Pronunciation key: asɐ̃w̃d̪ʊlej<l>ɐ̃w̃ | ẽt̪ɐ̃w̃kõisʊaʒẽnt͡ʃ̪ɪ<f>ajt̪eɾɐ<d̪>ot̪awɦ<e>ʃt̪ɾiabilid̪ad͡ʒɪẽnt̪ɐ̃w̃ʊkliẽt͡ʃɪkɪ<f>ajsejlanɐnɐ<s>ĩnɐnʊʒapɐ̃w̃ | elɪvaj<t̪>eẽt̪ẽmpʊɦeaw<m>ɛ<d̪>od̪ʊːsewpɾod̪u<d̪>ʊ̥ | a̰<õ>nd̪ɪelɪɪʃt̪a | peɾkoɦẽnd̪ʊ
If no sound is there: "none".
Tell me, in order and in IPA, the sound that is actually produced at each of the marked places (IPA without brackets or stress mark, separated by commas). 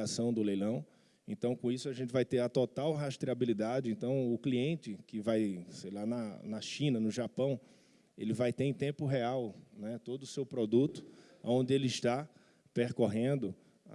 l, v, t̪, a, v, ʃ, t̪, n, t̪, t̪, õ